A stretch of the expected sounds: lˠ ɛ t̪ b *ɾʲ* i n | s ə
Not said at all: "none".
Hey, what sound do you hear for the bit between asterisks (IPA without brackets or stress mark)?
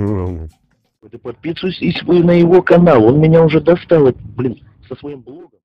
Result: lʲ